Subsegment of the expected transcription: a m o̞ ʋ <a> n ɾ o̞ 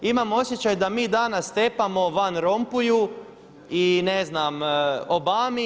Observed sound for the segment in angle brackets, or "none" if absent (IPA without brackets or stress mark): a